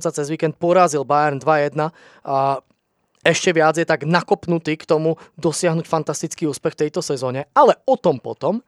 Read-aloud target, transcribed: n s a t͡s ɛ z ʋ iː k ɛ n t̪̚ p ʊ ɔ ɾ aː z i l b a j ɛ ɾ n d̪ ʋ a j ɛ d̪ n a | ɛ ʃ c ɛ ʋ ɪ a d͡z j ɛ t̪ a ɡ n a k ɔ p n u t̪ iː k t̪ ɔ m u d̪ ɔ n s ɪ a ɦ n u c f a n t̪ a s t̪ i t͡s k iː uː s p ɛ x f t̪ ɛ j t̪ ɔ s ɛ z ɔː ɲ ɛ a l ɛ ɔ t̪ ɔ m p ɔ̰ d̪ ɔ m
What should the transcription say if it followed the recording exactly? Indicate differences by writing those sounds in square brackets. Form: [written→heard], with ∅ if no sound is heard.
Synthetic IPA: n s a t͡s ɛ z ʋ iː k ɛ n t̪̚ p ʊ ɔ ɾ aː z i l b a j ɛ ɾ n d̪ ʋ a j ɛ d̪ n a | ɛ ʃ c ɛ ʋ ɪ a d͡z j ɛ t̪ a ɡ n a k ɔ p n u t̪ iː k t̪ ɔ m u d̪ ɔ [n→∅] s ɪ a ɦ n u c f a n t̪ a s t̪ i t͡s k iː uː s p ɛ x f t̪ ɛ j t̪ ɔ s ɛ z ɔː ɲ ɛ a l ɛ ɔ t̪ ɔ m p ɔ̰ [d̪→t̪] ɔ m